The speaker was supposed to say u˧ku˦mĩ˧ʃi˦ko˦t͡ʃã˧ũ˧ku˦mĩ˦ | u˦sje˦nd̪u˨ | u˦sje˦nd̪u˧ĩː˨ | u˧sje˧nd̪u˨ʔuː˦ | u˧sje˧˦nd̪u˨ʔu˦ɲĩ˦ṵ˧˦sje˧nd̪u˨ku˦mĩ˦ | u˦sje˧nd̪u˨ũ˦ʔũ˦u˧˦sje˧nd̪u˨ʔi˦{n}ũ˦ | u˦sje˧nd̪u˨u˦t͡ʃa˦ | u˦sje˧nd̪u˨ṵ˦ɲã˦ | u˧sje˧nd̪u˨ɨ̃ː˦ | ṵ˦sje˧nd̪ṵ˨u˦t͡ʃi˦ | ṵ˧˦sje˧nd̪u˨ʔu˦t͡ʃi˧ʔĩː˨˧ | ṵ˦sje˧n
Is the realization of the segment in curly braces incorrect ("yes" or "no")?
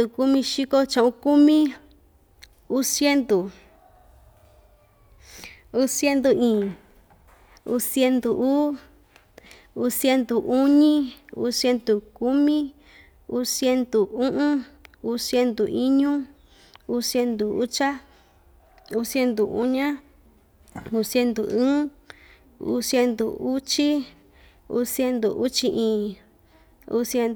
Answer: yes